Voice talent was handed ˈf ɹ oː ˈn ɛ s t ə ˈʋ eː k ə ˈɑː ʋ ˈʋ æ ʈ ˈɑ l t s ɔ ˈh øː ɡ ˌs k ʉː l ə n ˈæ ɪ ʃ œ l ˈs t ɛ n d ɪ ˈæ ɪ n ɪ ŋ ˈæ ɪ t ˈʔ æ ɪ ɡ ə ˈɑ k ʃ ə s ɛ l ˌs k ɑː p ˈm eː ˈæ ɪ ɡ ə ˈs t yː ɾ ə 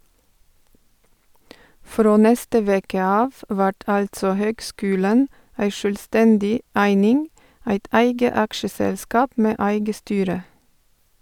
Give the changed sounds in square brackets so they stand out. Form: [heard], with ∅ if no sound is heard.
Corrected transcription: ˈf [ɾ] oː ˈn ɛ s t ə ˈʋ eː k ə ˈɑː ʋ ˈʋ æ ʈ ˈɑ l t s ɔ ˈh øː ɡ ˌs k ʉː l ə n ˈæ ɪ ʃ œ l ˈs t ɛ n d ɪ ˈæ ɪ n ɪ ŋ ˈæ ɪ t ˈʔ æ ɪ ɡ ə ˈɑ k ʃ ə s ɛ l ˌs k ɑː p ˈm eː ˈæ ɪ ɡ ə ˈs t yː ɾ ə